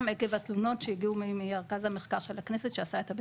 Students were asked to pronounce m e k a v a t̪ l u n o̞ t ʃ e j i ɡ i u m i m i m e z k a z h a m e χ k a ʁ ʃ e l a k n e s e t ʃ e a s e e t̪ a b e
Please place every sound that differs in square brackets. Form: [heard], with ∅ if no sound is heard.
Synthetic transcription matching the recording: m e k [e] v a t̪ l u n o̞ t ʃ e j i ɡ i u m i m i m e [ʁ] k a z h a m e χ k a ʁ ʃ e l a k n e s e t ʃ e a s [a] e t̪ a b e